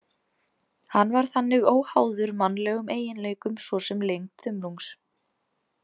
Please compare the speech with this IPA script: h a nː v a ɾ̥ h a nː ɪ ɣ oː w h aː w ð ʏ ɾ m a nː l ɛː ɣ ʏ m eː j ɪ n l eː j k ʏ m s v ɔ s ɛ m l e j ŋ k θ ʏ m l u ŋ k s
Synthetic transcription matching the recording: h a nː v a ɾ̥ θ a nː ɪ ɣ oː w h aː w ð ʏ ɾ m a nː l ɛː ɣ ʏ m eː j ɪ n l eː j k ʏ m s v ɔ s ɛ m l e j ŋ k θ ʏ m l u ŋ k s